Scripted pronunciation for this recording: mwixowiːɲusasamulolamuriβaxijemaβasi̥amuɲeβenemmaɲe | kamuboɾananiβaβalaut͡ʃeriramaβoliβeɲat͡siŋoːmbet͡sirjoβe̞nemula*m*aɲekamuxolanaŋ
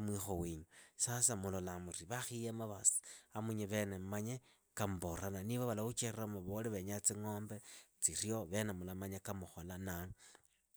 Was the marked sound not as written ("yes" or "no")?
no